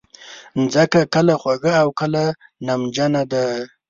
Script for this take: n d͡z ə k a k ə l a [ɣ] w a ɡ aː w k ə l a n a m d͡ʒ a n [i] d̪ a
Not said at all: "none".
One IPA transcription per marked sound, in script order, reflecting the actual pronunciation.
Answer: x, a

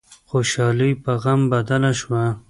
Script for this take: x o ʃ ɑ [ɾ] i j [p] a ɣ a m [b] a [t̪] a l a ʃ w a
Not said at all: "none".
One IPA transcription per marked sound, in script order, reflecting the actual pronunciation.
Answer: l, p, b, d̪

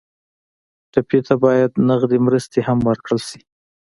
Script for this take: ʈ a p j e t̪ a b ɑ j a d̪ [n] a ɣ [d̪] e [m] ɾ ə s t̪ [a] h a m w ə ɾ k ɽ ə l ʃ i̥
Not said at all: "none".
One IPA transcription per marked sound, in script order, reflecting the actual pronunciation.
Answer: n, d̪, m, e

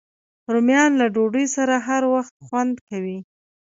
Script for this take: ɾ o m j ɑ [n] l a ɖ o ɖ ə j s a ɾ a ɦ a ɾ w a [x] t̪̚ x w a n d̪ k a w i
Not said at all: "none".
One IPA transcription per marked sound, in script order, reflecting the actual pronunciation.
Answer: n, x

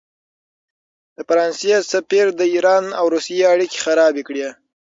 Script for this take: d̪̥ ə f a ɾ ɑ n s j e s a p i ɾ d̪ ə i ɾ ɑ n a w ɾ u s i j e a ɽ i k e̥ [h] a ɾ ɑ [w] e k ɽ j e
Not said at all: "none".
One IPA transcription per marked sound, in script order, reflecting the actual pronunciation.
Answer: x, b

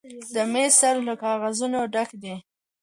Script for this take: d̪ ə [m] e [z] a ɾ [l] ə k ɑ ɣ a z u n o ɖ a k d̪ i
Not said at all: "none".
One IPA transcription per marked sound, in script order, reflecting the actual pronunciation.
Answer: m, s, l

